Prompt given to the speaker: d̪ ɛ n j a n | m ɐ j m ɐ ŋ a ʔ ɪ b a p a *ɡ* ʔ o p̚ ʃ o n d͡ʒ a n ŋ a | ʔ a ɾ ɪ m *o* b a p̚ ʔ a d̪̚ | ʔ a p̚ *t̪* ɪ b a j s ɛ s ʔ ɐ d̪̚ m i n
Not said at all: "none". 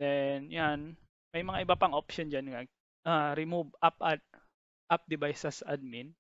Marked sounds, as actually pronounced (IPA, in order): ŋ, u, d̪

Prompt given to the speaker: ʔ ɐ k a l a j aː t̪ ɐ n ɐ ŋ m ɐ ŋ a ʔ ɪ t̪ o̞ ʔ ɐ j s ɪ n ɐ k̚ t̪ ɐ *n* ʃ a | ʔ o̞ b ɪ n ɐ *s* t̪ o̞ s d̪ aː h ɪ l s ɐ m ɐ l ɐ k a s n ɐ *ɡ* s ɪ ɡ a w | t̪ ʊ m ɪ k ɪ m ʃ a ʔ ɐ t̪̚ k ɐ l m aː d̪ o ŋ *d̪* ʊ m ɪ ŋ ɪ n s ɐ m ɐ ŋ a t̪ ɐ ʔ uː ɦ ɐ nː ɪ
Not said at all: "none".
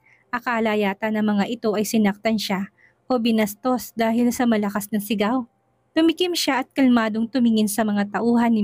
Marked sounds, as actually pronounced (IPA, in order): n, s, ŋ, t̪

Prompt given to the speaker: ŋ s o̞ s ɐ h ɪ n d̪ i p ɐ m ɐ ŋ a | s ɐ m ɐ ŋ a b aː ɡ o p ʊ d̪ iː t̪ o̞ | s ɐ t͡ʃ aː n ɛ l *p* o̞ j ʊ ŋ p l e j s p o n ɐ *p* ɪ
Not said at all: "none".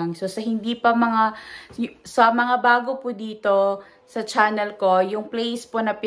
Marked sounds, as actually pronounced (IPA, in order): k, p

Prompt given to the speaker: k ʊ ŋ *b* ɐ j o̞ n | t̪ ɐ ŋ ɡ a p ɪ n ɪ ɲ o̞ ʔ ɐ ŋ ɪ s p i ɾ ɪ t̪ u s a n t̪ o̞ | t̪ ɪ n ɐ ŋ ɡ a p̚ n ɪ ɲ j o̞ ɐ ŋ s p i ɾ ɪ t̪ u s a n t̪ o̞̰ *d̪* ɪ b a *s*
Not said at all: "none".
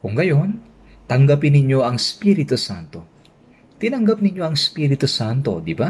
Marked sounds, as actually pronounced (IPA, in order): ɡ, d̪, none

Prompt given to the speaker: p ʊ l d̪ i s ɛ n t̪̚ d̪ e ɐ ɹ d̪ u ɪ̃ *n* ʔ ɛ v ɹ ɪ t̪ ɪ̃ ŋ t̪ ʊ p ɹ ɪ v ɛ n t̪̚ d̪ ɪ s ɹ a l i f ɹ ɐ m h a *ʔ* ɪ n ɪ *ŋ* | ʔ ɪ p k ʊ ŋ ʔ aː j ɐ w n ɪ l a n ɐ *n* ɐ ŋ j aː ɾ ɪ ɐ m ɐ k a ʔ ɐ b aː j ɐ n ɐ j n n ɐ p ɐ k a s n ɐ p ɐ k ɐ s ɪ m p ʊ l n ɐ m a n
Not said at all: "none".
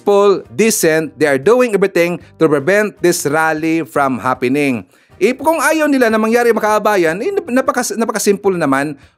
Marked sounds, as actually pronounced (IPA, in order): ŋ, p, ŋ, m

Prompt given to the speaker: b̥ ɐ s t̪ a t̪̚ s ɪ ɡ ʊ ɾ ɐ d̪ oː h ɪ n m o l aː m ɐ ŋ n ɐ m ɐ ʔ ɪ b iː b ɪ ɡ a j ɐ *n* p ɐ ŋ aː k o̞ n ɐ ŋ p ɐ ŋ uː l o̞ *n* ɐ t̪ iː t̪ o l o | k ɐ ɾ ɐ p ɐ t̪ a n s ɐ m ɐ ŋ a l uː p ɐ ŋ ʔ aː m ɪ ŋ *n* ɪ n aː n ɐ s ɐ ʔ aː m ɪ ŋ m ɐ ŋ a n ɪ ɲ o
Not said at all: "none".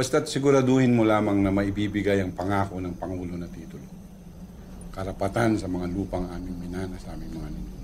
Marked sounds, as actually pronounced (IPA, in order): ŋ, n, m

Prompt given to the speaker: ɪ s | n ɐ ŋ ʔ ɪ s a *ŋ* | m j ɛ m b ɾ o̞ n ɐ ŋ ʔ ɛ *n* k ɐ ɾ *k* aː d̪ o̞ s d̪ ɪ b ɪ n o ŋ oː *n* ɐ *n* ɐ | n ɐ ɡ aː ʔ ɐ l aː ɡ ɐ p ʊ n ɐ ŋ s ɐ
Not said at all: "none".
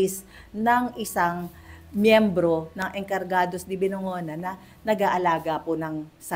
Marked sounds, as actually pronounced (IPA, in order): ŋ, ŋ, ɡ, n, n

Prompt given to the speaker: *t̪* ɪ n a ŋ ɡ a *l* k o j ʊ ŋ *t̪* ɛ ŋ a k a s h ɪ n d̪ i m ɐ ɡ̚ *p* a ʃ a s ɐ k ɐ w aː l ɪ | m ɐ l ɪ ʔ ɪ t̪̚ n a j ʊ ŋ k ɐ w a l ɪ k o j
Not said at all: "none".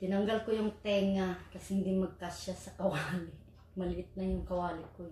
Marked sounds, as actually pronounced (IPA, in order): t̪, l, t̪, k

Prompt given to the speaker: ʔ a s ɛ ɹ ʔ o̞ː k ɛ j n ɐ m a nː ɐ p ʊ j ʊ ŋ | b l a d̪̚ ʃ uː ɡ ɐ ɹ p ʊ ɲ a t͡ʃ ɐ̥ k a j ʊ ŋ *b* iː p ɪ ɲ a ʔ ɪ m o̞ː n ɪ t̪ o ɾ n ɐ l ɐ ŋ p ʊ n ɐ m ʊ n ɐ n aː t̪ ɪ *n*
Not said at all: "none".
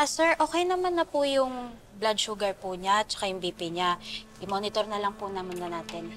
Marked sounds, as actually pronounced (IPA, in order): b, n

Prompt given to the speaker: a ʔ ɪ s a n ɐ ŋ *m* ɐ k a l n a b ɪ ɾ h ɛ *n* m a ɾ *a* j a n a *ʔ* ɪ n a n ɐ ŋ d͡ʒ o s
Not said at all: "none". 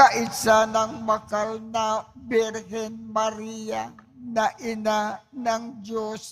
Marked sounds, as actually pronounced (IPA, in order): m, n, i, ʔ

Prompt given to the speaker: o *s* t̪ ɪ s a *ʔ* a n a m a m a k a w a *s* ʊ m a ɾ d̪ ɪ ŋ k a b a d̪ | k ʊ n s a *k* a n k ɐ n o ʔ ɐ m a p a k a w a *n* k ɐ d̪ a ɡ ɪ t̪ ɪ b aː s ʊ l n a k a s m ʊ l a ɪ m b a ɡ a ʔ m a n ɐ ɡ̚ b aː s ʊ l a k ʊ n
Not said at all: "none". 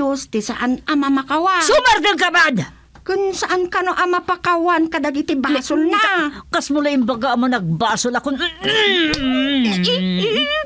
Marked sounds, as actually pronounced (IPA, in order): s, ʔ, s, ʔ, n

